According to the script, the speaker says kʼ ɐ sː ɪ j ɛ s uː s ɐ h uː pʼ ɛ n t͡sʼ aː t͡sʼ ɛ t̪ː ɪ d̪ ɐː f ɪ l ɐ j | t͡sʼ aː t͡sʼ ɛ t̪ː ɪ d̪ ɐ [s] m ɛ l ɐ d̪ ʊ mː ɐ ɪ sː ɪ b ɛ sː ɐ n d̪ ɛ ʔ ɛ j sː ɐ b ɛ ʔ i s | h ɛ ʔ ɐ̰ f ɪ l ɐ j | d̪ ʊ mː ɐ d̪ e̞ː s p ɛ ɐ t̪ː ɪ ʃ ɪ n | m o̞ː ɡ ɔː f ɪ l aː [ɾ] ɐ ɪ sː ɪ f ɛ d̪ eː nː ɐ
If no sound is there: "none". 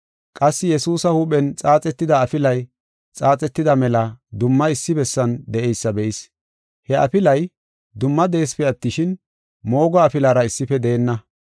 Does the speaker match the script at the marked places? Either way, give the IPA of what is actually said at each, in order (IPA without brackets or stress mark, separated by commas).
none, ɾ